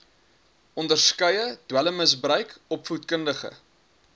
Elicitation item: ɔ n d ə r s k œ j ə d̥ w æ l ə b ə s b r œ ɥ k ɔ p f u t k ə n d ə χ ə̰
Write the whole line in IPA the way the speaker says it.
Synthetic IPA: ɔ n d ə r s k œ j ə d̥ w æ l ə m ə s b r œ ɥ k ɔ p f u t k ə n d ə χ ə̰